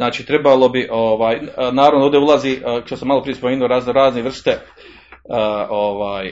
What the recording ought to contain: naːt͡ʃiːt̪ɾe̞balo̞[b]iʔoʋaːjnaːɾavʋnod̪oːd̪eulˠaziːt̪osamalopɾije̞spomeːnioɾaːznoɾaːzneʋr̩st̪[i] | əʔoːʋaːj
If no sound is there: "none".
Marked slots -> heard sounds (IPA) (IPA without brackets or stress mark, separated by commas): b, e